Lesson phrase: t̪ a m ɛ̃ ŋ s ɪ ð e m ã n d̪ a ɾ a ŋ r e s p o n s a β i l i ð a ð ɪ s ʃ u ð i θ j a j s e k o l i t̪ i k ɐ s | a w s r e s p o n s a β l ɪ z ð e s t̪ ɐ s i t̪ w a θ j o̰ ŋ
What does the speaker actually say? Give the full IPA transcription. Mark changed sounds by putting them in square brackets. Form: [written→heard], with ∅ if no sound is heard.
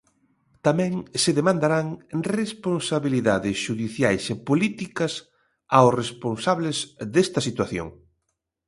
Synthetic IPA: t̪ a m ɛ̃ ŋ s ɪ ð e m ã n d̪ a ɾ a ŋ r e s p o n s a β i l i ð a ð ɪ s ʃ u ð i θ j a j s e [k→p] o l i t̪ i k ɐ s | a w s r e s p o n s a β l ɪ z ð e s t̪ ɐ s i t̪ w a θ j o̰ ŋ